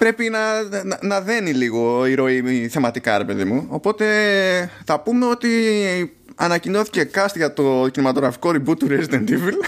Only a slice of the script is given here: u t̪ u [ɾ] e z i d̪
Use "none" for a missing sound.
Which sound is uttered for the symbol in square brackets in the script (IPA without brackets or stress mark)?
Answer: ɾ